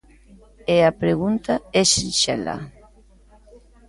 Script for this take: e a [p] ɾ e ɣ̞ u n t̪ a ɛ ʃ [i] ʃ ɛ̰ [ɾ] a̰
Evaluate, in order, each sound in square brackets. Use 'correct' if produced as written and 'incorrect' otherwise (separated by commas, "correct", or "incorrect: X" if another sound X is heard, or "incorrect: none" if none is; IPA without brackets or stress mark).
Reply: correct, correct, incorrect: l